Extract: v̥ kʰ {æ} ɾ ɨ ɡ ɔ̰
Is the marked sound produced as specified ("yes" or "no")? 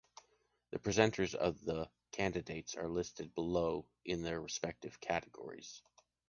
yes